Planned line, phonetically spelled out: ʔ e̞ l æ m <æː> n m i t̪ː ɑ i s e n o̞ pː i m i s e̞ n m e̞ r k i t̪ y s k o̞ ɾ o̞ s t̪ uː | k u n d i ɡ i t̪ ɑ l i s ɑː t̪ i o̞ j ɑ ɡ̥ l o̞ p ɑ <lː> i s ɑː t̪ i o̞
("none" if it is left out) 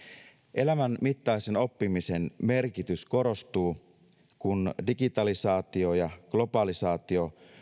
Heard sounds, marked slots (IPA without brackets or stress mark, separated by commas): æ, l